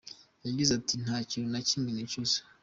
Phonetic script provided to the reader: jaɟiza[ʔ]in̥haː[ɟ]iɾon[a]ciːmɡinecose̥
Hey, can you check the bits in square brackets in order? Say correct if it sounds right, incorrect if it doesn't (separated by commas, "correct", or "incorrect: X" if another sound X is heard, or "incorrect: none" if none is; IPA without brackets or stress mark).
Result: incorrect: t, incorrect: c, correct